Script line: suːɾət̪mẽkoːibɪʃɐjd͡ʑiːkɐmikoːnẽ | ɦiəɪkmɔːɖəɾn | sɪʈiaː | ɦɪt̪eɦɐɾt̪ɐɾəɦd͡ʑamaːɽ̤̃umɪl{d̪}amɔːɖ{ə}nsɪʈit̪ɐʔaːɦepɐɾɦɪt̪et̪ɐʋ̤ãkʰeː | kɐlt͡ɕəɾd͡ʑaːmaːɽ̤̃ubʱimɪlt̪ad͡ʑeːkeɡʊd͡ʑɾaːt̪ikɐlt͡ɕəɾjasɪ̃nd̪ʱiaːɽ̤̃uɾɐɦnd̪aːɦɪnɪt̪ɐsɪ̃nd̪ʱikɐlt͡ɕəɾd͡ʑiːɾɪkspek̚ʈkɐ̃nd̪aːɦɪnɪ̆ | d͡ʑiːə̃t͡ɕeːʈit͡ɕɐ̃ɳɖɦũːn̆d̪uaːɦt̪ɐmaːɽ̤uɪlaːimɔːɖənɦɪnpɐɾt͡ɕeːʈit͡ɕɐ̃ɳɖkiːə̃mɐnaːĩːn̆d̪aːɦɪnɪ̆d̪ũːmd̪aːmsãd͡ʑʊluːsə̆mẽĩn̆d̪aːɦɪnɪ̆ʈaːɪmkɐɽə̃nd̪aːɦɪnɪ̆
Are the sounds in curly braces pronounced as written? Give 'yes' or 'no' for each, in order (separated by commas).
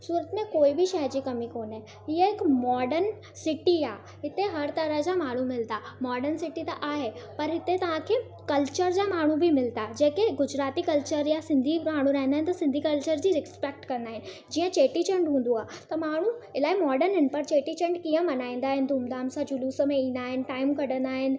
no, yes